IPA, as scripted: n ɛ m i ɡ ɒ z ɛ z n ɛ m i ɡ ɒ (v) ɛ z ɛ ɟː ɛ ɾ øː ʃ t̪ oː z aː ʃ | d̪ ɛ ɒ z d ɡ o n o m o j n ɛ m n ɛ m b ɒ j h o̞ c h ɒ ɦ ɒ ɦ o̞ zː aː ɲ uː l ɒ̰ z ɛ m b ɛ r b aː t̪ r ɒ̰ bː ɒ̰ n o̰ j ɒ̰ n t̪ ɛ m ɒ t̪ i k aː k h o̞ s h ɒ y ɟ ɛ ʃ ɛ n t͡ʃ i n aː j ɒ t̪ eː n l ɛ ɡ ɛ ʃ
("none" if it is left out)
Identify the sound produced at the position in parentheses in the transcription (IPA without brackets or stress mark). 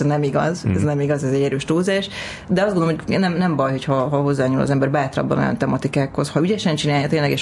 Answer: z